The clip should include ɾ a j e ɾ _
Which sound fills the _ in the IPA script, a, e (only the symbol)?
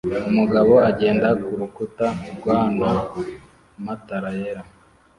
a